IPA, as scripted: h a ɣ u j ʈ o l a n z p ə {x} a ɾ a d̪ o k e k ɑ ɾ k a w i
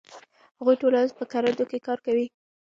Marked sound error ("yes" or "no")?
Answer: yes